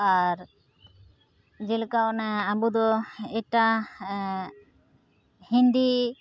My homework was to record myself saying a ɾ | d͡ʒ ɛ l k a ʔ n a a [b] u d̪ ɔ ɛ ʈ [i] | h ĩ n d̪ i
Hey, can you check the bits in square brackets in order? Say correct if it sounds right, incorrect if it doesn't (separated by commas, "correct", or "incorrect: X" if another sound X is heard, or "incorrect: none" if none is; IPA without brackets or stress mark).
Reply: correct, incorrect: a